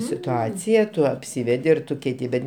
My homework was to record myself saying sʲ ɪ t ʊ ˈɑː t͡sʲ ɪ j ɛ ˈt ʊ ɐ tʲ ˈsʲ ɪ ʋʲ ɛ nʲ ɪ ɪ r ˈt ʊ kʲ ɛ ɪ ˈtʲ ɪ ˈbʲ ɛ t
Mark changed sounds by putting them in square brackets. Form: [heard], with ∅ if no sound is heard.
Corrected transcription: sʲ ɪ t ʊ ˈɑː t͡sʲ ɪ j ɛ ˈt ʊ ɐ [pʲ] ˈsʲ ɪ ʋʲ ɛ [dʲ] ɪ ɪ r ˈt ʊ kʲ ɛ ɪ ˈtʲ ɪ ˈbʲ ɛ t